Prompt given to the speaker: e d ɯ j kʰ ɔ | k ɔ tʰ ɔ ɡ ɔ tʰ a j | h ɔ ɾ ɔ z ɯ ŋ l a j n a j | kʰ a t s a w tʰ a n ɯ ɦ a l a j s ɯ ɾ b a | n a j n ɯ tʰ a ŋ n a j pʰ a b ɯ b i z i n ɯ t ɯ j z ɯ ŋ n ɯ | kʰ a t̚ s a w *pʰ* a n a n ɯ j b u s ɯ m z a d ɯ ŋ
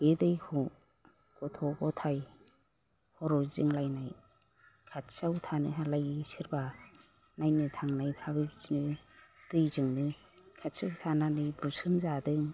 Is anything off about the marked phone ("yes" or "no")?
yes